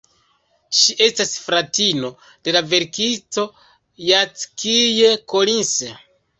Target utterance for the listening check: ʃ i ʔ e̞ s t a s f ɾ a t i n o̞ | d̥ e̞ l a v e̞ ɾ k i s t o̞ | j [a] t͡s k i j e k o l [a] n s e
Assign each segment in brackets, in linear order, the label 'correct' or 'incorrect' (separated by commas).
correct, incorrect